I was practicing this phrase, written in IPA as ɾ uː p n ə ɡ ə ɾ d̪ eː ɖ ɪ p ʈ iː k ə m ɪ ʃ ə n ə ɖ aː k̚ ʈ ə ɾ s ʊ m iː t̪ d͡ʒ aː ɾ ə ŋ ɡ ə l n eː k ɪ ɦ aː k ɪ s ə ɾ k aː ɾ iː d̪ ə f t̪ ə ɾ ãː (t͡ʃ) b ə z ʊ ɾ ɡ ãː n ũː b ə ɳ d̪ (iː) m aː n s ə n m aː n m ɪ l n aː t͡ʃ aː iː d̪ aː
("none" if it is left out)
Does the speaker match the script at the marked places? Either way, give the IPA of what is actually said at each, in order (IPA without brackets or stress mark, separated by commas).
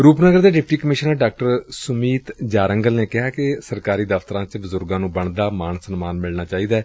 t͡ʃ, aː